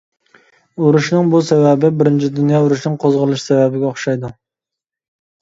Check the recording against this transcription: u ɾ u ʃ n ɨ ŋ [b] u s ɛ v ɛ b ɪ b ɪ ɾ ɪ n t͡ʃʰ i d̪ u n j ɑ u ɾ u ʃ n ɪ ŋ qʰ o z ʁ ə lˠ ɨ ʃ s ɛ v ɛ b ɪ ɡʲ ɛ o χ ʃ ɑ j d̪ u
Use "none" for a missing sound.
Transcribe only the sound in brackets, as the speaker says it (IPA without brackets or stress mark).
b